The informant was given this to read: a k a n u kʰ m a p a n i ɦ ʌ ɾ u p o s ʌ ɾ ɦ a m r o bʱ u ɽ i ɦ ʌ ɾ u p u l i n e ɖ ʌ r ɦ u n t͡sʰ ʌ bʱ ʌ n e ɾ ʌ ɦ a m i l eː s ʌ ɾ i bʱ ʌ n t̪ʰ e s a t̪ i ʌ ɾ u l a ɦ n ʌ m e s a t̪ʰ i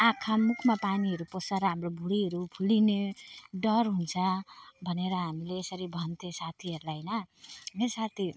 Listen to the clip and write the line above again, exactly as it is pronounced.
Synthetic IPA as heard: a kʰ a m u kʰ m a p a n i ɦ ʌ ɾ u p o s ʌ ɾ ɦ a m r o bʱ u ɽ i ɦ ʌ ɾ u pʰ u l i n e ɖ ʌ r ɦ u n t͡sʰ ʌ bʱ ʌ n e ɾ ʌ ɦ a m i l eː s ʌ ɾ i bʱ ʌ n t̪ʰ e s a t̪ʰ i ʌ ɾ u l a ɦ n ʌ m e s a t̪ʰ i